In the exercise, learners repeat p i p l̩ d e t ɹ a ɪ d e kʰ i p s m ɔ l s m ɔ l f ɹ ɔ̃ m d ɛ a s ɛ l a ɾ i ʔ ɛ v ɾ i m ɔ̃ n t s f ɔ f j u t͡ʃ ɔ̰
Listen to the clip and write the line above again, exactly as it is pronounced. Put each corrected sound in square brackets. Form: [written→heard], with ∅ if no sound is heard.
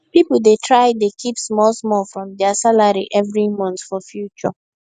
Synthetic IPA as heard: p i p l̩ d e t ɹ a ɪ d e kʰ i p s m ɔ l s m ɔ l f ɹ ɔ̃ m d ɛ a s [ɛ→a] l a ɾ i ʔ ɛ v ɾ i m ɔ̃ n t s f ɔ f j u t͡ʃ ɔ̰